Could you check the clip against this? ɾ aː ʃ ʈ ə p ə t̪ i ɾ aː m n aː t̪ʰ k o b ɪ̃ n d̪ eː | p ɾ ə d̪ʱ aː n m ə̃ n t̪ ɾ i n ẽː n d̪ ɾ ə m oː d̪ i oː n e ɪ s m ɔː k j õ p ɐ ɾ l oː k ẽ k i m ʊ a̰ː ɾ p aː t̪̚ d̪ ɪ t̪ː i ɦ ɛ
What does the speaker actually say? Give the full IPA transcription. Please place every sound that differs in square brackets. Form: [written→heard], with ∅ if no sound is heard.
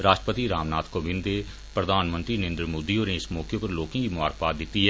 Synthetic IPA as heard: ɾ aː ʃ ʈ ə p ə t̪ i ɾ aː m n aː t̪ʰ k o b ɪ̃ n d̪ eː | p ɾ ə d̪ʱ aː n m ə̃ n t̪ ɾ i n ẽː n d̪ ɾ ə m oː d̪ i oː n e ɪ s m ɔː k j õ p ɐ ɾ l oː k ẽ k i m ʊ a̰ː ɾ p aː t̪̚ d̪ ɪ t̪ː i ɦ ɛ